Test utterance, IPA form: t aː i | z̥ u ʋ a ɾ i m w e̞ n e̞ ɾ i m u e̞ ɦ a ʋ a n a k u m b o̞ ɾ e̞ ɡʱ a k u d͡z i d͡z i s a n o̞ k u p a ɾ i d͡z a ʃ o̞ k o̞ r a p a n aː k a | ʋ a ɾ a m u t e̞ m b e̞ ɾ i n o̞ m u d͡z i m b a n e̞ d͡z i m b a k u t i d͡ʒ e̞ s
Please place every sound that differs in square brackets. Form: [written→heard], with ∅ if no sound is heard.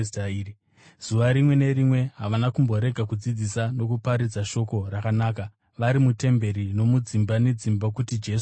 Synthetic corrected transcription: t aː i | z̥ u ʋ a ɾ i m w e̞ n e̞ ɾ i m [u→w] e̞ ɦ a ʋ a n a k u m b o̞ ɾ e̞ ɡʱ a k u d͡z i d͡z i s a n o̞ k u p a ɾ i d͡z a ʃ o̞ k o̞ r a [p→k] a n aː k a | ʋ a ɾ [a→i] m u t e̞ m b e̞ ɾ i n o̞ m u d͡z i m b a n e̞ d͡z i m b a k u t i d͡ʒ e̞ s